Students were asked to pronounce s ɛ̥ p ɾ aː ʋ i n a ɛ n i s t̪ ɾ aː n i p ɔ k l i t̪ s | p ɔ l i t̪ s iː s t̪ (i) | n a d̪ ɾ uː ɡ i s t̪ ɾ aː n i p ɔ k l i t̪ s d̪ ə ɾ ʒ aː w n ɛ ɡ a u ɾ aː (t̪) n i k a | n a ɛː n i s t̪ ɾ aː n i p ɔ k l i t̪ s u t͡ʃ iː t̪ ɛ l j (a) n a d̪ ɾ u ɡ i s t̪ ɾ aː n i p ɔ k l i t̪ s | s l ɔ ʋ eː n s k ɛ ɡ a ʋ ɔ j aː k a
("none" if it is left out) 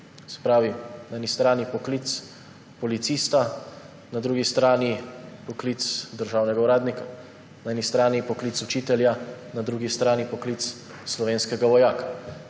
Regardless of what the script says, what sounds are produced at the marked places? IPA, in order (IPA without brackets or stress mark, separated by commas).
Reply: a, d̪, a